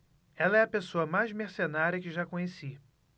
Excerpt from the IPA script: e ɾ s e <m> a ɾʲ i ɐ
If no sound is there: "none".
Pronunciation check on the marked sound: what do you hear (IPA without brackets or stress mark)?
n